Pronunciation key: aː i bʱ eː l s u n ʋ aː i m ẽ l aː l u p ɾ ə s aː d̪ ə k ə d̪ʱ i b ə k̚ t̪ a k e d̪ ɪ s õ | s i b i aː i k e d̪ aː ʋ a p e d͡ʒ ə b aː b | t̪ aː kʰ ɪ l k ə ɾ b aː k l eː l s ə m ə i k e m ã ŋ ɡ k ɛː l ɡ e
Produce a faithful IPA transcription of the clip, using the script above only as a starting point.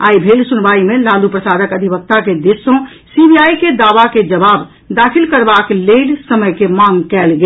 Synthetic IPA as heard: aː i bʱ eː l s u n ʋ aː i m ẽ l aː l u p ɾ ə s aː d̪ ə k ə d̪ʱ i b ə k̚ t̪ a k e d̪ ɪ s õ | s i b i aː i k e d̪ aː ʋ a k e d͡ʒ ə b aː b | d̪ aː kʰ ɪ l k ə ɾ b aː k l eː l s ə m ə j k e m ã ŋ ɡ k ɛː l ɡ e